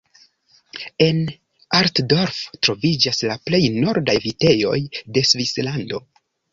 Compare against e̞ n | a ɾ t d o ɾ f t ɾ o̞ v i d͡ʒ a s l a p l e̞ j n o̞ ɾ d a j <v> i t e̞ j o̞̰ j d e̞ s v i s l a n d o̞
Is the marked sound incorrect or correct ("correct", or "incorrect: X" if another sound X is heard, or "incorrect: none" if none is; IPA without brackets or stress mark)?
correct